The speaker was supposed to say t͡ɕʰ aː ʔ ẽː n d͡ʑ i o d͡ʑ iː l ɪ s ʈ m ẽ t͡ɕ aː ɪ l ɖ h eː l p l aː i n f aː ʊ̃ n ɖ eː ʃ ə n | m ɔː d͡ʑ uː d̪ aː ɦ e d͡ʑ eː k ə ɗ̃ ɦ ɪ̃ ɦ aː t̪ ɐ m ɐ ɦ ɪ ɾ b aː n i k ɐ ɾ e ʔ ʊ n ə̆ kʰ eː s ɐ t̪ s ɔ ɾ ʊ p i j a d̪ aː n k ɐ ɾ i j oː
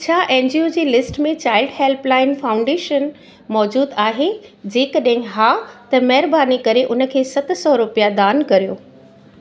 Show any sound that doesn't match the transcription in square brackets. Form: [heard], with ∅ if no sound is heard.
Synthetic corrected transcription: t͡ɕʰ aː ʔ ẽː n d͡ʑ i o d͡ʑ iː l ɪ s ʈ m ẽ t͡ɕ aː ɪ l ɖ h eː l p l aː [ɪ] n f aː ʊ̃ [ɳ] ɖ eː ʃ ə n | m ɔː d͡ʑ uː d̪ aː ɦ e d͡ʑ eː k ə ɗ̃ ɦ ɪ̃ ɦ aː t̪ ɐ m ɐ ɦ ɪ ɾ b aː n i k ɐ ɾ e ʔ ʊ n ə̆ kʰ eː s ɐ t̪ s ɔ ɾ ʊ p i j a d̪ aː n k ɐ ɾ i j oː